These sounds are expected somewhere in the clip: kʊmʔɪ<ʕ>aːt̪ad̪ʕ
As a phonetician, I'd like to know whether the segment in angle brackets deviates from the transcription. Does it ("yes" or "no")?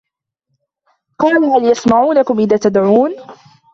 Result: yes